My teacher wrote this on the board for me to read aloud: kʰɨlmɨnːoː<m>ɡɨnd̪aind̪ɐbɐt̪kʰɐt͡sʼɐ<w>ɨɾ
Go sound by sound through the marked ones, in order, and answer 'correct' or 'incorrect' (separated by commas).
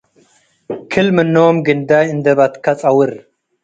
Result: correct, correct